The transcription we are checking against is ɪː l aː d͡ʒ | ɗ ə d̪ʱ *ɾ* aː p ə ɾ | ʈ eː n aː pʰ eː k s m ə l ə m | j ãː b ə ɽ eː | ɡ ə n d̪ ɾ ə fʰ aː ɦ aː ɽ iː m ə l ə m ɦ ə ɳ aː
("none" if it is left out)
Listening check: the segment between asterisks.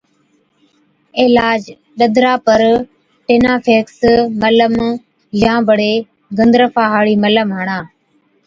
ɾ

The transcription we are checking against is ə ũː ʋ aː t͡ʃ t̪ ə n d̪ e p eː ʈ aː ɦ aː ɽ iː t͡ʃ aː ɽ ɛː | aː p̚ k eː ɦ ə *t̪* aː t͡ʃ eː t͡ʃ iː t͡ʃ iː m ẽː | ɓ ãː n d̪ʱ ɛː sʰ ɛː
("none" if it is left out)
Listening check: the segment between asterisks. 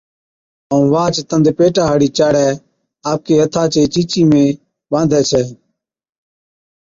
t̪ʰ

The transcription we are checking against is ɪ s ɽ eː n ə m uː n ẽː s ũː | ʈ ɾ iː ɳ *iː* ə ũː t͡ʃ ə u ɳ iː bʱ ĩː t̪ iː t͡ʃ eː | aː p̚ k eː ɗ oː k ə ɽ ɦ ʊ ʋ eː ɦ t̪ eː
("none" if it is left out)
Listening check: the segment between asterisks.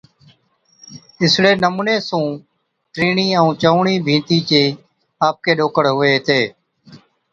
iː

